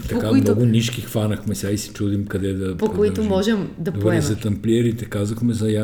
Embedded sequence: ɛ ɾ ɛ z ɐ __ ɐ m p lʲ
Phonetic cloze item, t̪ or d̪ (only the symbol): t̪